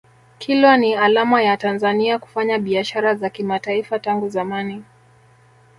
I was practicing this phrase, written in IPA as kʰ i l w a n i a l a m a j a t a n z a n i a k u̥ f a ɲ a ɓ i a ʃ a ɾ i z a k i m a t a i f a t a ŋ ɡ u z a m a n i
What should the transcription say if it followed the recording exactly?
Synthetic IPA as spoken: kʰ i l w a n i a l a m a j a t a n z a n i a k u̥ f a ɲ a ɓ i a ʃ a ɾ a z a k i m a t a i f a t a ŋ ɡ u z a m a n i